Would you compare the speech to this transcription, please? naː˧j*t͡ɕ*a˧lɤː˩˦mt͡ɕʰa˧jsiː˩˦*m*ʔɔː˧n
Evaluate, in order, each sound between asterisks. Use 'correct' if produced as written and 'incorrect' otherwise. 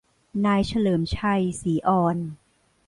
incorrect, incorrect

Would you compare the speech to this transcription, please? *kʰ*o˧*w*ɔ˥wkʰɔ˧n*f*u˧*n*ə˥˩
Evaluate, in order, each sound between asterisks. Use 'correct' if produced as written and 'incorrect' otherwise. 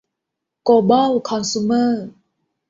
incorrect, incorrect, incorrect, incorrect

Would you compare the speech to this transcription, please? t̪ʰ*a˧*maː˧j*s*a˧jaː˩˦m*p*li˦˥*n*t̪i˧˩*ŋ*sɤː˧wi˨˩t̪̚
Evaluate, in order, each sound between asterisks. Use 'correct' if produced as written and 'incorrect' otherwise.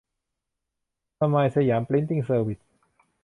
correct, correct, correct, correct, correct

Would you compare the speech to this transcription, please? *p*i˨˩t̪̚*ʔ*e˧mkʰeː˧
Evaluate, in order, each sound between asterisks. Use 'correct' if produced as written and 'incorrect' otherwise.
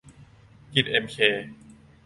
incorrect, correct

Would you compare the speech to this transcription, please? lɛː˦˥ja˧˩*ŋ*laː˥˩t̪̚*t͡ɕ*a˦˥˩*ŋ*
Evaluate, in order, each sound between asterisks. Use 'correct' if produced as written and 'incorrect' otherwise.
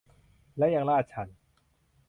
correct, incorrect, incorrect

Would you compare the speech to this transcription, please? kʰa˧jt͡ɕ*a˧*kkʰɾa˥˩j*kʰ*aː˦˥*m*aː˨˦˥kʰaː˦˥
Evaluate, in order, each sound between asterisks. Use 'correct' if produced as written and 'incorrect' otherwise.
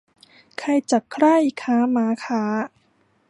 incorrect, correct, correct

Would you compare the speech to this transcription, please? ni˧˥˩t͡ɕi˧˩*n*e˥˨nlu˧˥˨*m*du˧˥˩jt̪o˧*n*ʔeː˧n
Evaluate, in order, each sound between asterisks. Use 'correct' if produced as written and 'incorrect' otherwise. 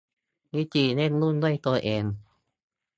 correct, incorrect, incorrect

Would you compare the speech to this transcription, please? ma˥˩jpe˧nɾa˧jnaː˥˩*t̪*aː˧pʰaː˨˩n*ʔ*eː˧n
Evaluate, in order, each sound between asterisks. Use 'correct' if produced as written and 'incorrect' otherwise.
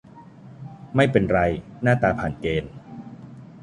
correct, incorrect

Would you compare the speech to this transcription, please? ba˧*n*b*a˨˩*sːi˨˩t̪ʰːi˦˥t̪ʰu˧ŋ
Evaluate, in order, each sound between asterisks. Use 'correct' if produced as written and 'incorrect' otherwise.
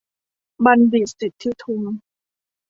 correct, incorrect

